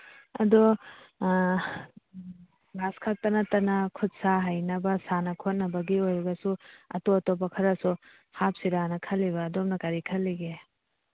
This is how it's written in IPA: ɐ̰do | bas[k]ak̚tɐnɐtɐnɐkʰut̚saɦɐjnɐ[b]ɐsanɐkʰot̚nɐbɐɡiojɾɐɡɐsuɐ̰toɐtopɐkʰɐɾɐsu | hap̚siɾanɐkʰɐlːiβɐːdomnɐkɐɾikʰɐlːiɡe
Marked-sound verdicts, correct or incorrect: incorrect, correct

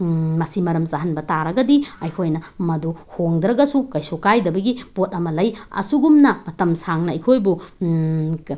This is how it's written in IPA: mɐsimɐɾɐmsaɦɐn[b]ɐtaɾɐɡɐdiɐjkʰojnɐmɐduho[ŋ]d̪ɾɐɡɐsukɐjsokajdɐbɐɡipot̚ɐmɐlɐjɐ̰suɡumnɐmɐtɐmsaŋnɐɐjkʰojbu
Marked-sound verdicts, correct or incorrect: correct, correct

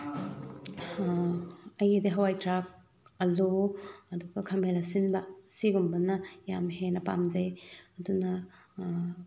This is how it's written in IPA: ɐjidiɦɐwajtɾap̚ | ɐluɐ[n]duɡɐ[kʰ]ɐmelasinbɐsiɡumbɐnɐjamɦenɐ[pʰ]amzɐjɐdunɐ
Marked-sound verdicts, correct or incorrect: incorrect, correct, incorrect

